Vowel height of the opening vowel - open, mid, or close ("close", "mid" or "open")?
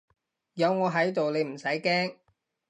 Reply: open